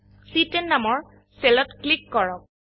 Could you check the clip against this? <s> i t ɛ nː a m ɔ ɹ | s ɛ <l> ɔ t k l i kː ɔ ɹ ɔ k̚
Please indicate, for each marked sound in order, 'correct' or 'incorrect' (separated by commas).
correct, correct